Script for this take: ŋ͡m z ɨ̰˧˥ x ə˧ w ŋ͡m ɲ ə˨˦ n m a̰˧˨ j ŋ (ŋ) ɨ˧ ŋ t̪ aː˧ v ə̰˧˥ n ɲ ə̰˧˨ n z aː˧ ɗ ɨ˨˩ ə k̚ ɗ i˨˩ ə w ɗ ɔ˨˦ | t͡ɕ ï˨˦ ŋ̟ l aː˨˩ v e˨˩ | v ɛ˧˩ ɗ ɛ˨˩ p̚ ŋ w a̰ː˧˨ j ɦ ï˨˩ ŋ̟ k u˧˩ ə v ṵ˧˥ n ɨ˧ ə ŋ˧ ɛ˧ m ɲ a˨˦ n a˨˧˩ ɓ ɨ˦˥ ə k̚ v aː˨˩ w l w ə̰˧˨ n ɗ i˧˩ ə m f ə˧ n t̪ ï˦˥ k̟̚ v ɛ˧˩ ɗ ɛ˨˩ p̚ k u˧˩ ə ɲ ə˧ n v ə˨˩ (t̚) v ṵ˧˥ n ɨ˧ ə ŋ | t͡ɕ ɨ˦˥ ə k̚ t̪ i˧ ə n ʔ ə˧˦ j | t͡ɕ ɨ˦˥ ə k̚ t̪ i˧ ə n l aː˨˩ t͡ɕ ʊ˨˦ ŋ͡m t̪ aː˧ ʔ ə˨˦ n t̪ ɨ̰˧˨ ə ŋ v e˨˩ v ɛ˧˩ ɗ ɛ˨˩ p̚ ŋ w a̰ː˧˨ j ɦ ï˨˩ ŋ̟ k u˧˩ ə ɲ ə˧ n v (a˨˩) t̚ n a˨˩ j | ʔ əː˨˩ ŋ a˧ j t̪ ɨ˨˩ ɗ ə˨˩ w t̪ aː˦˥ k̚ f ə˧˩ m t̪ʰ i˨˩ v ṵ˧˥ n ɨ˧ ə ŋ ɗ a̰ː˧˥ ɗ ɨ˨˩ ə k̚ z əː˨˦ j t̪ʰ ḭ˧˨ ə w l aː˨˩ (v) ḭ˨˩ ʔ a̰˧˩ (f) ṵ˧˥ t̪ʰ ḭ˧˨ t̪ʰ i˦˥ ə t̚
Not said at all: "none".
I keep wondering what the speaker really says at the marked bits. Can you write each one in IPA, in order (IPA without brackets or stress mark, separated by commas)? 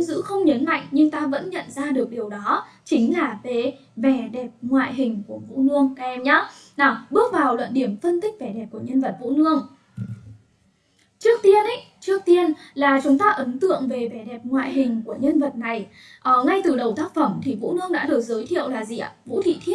ɲ, t̚, ə˨˩, z, v